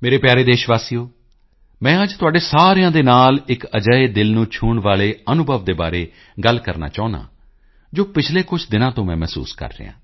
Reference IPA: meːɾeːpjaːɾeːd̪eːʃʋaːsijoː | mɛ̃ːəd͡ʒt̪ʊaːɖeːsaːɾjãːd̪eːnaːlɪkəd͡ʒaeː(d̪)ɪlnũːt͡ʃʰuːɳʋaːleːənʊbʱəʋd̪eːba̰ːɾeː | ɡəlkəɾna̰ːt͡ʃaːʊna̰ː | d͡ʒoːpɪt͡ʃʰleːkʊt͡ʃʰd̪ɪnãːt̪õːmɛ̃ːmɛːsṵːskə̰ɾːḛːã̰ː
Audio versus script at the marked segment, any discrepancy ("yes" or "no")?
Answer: no